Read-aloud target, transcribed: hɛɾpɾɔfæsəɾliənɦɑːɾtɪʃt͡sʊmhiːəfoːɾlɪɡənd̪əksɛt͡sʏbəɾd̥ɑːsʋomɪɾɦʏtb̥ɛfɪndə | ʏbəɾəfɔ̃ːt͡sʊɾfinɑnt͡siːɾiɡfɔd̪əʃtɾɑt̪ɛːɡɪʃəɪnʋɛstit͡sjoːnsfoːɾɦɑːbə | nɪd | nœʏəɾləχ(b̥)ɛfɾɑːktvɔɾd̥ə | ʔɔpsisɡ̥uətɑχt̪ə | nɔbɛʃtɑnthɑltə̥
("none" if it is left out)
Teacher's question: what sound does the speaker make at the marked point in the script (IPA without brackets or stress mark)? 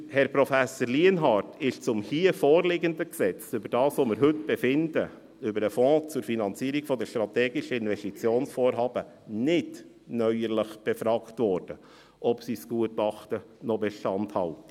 b̥